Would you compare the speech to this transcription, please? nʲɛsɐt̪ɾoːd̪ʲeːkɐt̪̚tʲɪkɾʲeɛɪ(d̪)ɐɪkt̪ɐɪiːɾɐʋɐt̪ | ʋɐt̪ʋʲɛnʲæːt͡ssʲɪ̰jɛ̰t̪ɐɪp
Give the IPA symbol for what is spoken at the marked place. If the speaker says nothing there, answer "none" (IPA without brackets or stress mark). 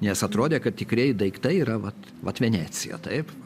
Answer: d̪